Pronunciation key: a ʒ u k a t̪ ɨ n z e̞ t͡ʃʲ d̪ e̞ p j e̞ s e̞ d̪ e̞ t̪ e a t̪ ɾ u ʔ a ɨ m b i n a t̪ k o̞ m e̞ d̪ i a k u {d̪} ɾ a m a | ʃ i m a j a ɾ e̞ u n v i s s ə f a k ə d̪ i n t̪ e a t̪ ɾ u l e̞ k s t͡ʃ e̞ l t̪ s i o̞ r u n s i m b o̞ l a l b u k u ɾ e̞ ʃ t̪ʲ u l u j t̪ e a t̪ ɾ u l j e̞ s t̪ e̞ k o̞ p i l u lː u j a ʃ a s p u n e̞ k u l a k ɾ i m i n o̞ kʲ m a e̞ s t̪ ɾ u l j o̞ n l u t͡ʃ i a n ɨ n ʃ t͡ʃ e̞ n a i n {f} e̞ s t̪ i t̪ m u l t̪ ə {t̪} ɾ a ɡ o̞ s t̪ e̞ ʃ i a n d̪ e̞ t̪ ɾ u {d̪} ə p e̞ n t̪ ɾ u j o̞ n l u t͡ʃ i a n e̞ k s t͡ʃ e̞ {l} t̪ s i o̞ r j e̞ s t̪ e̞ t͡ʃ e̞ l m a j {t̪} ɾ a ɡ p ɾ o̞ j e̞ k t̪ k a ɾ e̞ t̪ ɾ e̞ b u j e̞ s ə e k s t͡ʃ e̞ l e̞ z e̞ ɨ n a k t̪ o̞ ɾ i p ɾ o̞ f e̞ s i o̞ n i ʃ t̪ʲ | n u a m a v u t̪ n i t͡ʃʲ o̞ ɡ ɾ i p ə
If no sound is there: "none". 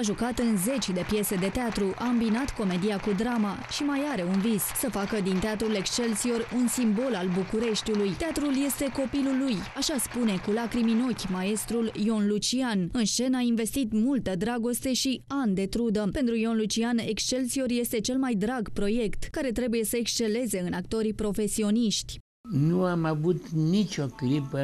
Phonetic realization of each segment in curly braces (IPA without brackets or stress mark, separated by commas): d̪, v, d̪, d̪, l, d̪